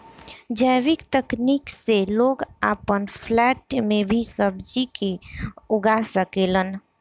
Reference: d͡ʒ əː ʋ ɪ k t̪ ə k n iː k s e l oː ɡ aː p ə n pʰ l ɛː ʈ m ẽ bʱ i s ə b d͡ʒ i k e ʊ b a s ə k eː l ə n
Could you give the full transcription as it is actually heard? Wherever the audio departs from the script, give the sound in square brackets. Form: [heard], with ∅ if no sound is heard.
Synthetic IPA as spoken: d͡ʒ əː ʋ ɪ k t̪ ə k n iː k s e l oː ɡ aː p ə n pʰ l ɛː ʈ m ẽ bʱ i s ə b d͡ʒ i k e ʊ [ɡ] a s ə k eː l ə n